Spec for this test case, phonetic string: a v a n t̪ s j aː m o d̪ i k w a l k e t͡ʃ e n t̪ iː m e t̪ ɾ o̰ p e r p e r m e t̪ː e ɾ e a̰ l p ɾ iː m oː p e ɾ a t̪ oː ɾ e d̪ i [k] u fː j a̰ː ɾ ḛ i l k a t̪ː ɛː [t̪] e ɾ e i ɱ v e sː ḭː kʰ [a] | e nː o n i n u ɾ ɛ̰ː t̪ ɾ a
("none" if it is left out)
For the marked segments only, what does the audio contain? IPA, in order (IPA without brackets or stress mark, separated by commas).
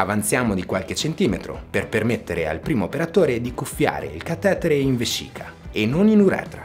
k, t̪, a